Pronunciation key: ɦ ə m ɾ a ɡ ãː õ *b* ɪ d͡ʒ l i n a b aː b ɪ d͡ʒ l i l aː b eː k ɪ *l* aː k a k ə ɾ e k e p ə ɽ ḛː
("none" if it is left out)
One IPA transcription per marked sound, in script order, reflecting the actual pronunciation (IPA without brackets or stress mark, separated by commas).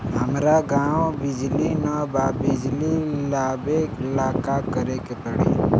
b, l